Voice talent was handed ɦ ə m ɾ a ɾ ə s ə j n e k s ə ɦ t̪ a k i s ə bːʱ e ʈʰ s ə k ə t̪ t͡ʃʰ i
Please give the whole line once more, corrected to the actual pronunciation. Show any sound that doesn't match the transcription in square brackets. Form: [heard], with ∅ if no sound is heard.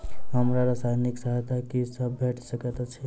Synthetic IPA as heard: ɦ ə m ɾ a ɾ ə s [a] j n [i] k s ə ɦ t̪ a k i s ə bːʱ e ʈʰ s ə k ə t̪ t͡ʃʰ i